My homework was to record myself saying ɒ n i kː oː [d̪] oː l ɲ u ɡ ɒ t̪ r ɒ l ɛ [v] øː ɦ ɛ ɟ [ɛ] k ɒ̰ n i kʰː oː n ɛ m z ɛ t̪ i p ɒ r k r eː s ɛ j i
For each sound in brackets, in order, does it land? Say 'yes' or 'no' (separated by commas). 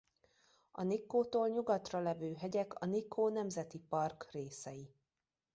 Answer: no, yes, yes